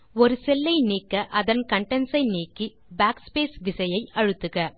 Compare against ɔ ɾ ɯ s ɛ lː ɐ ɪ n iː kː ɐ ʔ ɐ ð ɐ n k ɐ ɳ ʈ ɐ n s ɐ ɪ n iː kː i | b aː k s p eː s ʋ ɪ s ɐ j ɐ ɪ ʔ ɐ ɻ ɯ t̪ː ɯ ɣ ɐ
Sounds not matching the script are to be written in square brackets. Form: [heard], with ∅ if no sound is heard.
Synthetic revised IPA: ɔ ɾ ɯ s ɛ lː ɐ ɪ n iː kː ɐ ʔ ɐ ð ɐ n k ɐ ɳ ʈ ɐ n s ɐ ɪ n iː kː i | b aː k s p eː s ʋ ɪ s ɐ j ɐ ɪ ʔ ɐ ɻ ɯ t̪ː ɯ ɣ ɐ